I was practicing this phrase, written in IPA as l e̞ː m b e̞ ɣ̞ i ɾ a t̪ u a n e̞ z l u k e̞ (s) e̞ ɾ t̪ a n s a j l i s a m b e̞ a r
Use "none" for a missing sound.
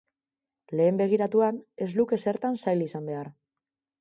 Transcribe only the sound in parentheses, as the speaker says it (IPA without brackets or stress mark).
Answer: s